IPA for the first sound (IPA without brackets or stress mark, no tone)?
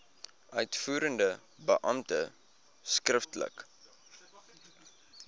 œ